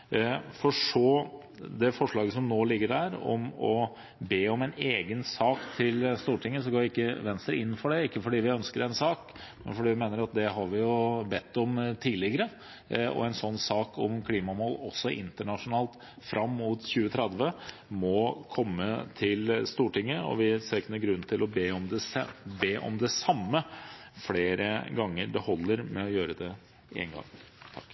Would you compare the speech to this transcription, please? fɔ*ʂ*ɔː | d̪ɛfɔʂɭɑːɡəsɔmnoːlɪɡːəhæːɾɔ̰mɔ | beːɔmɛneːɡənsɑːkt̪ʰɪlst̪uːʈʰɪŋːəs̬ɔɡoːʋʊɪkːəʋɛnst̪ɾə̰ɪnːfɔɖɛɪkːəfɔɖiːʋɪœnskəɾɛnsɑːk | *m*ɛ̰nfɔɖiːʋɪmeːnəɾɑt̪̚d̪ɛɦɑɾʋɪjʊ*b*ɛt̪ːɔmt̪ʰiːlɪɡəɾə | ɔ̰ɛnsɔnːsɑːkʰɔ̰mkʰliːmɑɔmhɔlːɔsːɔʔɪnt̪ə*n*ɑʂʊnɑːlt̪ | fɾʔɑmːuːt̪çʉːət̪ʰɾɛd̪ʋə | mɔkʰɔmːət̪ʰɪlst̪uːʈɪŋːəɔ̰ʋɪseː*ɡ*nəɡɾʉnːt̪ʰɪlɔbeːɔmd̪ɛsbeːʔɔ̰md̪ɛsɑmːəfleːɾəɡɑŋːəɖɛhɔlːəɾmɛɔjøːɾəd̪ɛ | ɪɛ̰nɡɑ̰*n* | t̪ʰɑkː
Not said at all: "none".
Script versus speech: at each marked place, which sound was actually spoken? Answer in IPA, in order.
ʂ, m, b, ɳ, k, ŋ

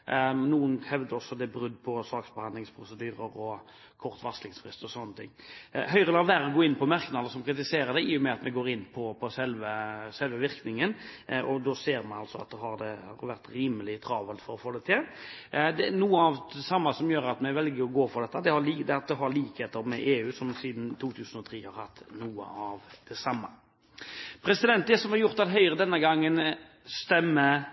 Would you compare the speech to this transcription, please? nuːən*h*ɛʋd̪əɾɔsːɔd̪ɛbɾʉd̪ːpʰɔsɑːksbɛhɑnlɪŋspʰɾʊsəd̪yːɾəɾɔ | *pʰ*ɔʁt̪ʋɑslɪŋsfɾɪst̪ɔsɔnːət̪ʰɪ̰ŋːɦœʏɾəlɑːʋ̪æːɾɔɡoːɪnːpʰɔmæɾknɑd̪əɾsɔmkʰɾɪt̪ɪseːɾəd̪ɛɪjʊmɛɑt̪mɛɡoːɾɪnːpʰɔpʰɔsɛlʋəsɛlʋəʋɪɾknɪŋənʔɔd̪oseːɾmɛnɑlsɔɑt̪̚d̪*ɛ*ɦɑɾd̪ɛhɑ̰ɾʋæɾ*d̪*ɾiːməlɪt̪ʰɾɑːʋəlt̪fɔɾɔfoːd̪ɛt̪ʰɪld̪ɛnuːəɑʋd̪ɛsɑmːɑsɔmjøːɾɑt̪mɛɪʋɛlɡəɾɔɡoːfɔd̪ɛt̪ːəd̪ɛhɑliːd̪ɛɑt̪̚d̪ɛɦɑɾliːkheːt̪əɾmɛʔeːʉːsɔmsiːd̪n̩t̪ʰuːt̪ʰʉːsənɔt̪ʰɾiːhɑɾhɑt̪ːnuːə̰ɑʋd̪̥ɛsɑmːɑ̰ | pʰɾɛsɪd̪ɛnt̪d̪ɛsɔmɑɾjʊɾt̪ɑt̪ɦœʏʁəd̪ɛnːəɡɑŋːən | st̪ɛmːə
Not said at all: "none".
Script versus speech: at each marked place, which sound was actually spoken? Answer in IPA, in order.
h, kʰ, ɛ, t̪

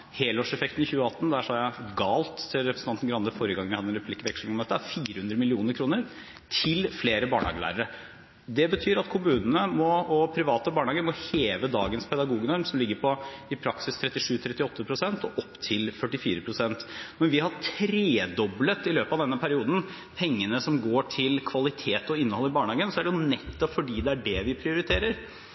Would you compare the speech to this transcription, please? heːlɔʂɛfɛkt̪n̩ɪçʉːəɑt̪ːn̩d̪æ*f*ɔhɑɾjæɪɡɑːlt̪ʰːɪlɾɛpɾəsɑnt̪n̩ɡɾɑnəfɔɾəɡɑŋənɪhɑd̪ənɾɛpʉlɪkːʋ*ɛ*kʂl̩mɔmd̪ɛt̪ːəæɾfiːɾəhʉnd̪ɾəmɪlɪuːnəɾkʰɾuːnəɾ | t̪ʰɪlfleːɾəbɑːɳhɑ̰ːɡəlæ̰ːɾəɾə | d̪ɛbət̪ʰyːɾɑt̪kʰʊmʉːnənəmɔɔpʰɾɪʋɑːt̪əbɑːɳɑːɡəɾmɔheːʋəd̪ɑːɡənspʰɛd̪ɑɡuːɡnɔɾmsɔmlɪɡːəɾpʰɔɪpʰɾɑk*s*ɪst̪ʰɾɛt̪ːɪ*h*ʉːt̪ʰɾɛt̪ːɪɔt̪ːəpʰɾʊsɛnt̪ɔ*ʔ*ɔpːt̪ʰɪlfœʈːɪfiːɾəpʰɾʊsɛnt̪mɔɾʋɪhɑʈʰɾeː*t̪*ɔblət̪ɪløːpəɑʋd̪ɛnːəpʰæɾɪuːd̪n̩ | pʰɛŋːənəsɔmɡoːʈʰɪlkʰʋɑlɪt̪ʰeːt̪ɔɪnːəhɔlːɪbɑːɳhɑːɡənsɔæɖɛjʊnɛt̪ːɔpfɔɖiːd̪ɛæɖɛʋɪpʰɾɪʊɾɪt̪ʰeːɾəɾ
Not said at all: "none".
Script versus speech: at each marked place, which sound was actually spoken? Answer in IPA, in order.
ʂ, ɛ, s, ʂ, ʔ, d̪

